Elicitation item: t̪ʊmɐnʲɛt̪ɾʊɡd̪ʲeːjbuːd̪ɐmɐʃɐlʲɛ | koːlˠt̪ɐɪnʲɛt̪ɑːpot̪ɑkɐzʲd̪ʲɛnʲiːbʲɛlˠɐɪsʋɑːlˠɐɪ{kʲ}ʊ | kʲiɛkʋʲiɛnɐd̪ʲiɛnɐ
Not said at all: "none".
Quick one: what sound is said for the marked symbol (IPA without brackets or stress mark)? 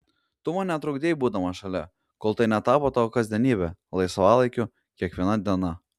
kʲ